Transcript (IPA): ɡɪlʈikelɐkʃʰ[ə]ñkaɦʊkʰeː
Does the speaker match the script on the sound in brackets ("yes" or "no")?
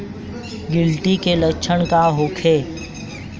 yes